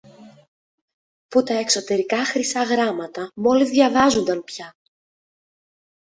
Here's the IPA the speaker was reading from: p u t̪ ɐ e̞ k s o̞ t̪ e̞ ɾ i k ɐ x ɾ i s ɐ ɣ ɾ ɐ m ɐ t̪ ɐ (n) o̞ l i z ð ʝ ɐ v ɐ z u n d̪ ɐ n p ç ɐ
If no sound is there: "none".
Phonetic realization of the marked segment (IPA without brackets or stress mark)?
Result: m